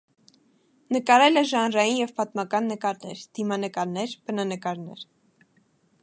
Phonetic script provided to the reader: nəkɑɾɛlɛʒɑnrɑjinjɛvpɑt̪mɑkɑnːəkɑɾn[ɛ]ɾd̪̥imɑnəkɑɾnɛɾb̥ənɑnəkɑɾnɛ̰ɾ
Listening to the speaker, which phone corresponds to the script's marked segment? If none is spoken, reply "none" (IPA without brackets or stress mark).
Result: ɛ